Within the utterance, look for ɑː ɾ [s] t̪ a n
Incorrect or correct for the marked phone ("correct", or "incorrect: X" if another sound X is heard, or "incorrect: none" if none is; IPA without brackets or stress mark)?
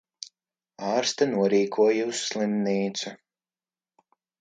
correct